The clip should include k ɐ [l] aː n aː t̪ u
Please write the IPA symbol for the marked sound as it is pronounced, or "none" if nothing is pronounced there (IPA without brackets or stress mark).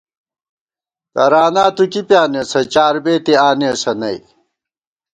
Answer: ɾ